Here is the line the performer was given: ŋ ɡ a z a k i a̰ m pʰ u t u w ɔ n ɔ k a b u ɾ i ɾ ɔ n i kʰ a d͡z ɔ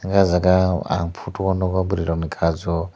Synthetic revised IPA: ŋ ɡ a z a k a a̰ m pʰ u t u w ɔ n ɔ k a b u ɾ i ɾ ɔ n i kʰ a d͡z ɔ